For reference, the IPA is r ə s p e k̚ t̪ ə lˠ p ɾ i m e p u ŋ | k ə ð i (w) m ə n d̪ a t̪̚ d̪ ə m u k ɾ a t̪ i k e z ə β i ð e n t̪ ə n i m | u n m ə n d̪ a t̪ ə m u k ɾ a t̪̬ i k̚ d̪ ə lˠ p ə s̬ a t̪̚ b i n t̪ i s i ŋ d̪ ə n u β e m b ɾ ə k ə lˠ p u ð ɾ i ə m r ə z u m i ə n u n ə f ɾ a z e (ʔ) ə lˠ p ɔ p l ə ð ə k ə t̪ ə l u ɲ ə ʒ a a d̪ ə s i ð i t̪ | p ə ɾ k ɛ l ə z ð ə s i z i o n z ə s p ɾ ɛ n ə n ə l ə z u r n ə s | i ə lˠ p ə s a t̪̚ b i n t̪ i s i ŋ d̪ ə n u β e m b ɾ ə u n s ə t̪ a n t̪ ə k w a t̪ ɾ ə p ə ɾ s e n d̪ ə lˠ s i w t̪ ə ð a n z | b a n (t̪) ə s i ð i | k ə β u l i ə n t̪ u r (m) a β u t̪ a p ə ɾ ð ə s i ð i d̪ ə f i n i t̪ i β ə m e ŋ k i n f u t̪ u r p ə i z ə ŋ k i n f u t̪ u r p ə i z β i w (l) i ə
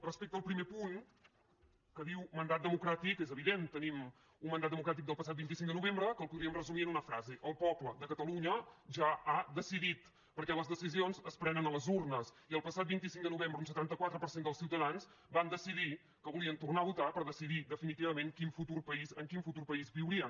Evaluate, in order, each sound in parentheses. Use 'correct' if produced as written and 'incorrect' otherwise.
correct, correct, incorrect, incorrect, incorrect

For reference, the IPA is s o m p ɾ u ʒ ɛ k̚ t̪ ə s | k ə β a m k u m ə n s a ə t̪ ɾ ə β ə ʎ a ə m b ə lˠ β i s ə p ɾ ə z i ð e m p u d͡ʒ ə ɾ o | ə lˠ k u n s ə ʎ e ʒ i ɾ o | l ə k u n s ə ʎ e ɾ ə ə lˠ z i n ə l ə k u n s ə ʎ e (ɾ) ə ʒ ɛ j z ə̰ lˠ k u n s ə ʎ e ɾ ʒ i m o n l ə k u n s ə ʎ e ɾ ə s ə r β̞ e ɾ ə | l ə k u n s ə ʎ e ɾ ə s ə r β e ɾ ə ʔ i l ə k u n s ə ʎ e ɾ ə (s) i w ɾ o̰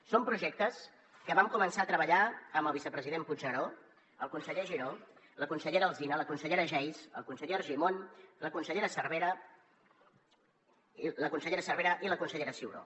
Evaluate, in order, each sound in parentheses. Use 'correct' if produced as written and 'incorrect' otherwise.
correct, correct

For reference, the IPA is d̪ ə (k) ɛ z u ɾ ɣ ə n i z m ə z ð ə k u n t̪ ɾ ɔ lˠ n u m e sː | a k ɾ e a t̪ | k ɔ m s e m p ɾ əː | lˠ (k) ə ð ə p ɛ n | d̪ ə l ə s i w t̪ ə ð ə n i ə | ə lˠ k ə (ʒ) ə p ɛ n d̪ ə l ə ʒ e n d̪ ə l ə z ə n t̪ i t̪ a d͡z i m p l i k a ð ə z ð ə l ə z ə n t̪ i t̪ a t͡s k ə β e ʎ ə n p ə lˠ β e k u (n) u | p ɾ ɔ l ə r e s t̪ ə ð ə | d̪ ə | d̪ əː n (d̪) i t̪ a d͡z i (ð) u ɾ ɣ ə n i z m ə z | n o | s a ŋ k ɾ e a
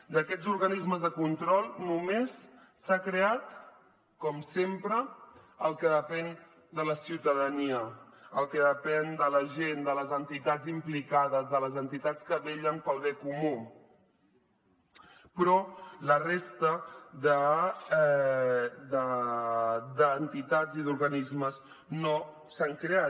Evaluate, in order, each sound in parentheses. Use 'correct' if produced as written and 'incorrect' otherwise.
correct, correct, incorrect, incorrect, incorrect, correct

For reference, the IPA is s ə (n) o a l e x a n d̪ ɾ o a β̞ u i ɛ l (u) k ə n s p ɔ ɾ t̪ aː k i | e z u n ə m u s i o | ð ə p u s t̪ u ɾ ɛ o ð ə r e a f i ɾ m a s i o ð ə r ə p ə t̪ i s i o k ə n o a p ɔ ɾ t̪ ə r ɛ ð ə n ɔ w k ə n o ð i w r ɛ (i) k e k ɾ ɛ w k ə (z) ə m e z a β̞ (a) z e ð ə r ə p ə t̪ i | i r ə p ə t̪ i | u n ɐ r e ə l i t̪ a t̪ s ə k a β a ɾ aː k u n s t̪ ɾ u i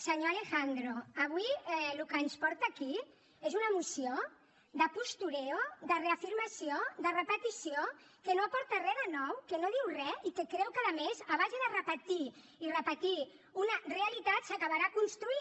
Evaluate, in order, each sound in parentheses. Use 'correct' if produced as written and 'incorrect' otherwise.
incorrect, correct, correct, incorrect, correct

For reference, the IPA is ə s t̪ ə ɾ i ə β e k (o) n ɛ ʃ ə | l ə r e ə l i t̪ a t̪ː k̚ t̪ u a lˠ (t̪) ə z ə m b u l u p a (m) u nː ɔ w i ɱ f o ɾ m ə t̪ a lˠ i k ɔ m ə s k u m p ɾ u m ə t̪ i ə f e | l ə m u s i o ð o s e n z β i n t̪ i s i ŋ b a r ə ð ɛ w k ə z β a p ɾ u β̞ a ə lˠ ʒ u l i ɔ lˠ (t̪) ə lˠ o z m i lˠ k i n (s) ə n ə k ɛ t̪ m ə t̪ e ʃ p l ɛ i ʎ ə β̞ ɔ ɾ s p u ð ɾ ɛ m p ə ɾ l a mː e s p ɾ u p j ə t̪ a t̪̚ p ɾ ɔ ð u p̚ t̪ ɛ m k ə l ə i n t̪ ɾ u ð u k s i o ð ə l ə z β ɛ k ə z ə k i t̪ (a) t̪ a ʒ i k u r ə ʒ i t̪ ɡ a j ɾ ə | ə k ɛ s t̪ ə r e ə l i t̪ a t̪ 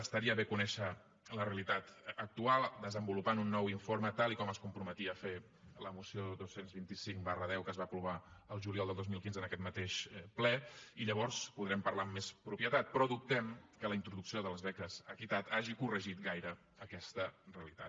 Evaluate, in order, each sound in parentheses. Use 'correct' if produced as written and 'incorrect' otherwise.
incorrect, incorrect, incorrect, incorrect, incorrect, correct

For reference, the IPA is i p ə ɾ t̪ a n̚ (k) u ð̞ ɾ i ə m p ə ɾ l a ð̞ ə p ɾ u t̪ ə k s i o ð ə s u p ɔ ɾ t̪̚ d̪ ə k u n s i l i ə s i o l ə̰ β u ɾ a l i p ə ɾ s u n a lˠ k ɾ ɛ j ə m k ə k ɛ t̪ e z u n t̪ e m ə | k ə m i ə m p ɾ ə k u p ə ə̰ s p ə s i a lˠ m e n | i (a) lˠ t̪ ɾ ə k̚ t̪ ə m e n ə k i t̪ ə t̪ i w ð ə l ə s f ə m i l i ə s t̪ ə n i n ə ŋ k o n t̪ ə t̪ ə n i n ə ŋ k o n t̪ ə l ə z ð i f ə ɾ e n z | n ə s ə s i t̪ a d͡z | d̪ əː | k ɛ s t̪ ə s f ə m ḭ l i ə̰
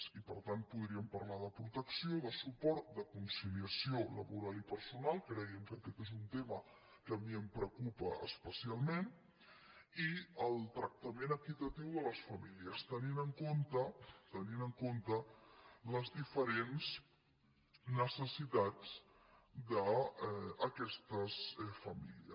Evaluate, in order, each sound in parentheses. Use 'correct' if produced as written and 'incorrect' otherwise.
incorrect, incorrect

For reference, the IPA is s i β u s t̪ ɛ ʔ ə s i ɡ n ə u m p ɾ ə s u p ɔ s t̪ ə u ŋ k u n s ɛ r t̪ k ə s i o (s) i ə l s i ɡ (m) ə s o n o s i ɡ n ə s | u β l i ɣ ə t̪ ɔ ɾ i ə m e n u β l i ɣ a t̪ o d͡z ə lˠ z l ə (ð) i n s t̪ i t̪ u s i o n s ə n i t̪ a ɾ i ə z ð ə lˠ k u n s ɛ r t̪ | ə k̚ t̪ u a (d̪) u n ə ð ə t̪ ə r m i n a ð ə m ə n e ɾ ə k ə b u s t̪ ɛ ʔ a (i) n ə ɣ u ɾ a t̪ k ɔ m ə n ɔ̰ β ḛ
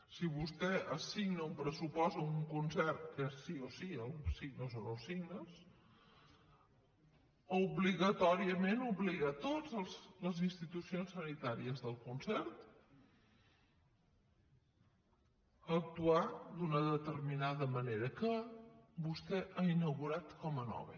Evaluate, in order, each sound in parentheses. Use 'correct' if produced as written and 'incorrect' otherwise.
correct, incorrect, incorrect, correct, correct

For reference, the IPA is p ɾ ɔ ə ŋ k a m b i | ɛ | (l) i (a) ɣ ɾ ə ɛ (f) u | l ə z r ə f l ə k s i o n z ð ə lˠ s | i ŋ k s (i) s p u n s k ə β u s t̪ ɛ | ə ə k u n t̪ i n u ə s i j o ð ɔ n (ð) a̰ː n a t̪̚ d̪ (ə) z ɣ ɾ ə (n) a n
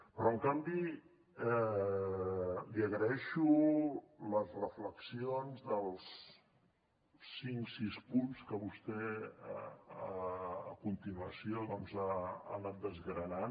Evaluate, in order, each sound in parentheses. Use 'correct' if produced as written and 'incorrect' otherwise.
correct, incorrect, incorrect, correct, incorrect, correct, correct

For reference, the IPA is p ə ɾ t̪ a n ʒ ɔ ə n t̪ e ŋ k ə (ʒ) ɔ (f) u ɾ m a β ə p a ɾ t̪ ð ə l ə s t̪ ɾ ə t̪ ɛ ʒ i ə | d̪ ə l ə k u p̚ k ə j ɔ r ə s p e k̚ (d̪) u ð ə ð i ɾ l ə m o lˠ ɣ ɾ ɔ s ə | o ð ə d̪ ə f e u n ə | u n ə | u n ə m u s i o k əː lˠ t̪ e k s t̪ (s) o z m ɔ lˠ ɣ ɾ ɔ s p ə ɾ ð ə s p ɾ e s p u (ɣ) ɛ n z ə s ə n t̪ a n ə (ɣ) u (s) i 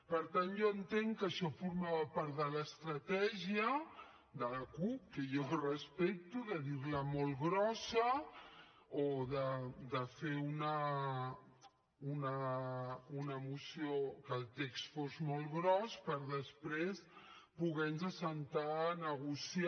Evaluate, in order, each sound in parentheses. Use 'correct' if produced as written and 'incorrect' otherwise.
incorrect, correct, incorrect, incorrect, correct, correct, correct

